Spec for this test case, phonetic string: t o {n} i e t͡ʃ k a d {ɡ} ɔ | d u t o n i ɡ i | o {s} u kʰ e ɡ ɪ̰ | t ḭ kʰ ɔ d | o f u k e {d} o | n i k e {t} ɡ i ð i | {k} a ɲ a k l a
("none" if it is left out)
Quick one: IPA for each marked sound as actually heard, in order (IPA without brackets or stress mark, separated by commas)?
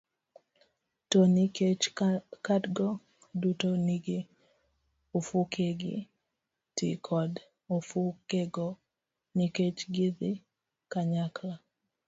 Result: n, ɡ, f, ɡ, t͡ʃ, k